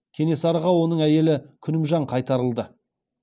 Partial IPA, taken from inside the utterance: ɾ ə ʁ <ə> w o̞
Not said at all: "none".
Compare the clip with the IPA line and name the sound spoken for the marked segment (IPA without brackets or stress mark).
ɑ